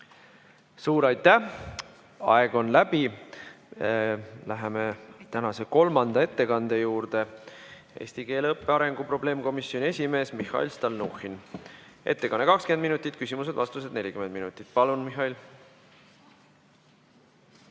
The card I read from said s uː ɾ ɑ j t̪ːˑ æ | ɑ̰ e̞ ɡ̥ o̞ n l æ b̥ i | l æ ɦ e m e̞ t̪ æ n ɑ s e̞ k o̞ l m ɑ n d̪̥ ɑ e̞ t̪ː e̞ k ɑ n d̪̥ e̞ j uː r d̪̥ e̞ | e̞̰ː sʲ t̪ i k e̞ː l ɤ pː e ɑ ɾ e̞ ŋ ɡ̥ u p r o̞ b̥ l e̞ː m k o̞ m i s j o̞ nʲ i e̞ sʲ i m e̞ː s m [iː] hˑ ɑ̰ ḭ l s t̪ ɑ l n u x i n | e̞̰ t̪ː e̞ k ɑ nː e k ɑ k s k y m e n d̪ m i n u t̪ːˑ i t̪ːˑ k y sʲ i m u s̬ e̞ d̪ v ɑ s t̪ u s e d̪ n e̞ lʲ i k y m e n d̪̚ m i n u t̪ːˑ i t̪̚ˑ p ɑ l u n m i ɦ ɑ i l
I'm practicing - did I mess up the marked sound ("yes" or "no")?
yes